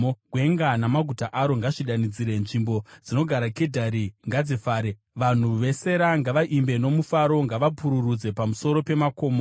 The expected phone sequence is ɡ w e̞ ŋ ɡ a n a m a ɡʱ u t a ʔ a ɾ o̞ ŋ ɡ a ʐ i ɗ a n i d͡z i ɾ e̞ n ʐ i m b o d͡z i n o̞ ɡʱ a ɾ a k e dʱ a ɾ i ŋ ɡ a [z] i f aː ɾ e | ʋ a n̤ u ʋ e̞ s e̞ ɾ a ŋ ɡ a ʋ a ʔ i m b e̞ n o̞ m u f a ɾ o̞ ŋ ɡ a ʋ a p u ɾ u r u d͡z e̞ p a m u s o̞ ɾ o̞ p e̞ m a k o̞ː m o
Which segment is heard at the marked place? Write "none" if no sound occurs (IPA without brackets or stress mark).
d͡z